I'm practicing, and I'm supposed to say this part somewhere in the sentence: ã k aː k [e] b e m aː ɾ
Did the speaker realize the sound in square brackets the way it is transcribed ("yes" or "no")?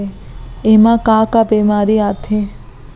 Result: no